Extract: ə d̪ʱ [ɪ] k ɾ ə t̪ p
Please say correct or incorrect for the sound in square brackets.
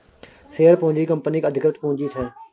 correct